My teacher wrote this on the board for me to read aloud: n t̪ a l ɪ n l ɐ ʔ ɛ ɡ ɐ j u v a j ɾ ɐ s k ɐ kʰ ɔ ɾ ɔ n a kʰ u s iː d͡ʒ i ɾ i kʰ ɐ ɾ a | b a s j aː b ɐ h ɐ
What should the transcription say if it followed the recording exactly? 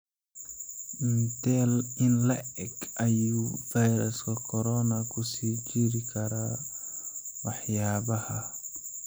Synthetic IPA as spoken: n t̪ ɛ l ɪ n l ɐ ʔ ɛ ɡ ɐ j u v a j ɾ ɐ s k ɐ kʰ ɔ ɾ ɔ n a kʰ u s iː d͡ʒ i ɾ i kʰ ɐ ɾ a | w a ħ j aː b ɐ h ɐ